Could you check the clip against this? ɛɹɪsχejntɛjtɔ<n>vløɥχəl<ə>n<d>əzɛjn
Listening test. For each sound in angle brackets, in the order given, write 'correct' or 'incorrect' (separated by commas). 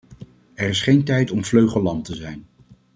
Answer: incorrect, incorrect, incorrect